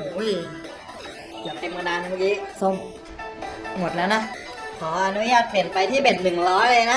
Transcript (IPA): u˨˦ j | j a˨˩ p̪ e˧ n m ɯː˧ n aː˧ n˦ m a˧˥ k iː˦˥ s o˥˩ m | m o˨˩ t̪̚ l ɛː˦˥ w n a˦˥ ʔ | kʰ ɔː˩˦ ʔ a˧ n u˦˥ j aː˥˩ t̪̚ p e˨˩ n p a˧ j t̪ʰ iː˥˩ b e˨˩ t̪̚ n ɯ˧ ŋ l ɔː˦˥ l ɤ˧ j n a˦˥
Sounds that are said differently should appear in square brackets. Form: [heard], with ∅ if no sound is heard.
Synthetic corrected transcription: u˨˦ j | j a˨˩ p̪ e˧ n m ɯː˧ n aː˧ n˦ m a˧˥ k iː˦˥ s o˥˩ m | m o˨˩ t̪̚ l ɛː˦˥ w n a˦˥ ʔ | kʰ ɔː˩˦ ʔ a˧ n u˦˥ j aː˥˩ t̪̚ p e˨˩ n p a˧ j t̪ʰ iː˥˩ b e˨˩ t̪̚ n [ɯ˨˩] ŋ l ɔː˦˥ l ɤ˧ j n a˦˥